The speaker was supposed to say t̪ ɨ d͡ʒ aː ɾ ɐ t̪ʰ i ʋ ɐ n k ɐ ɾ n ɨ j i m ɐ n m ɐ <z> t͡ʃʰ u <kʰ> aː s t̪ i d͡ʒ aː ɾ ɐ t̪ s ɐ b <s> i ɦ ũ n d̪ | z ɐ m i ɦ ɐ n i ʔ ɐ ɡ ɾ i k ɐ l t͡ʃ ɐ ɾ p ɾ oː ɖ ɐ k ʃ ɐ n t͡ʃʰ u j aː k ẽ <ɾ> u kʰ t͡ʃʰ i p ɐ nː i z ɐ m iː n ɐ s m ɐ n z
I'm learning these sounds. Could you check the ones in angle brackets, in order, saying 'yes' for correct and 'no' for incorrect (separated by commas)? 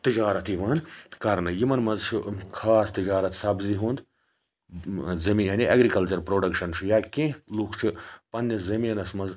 yes, yes, no, no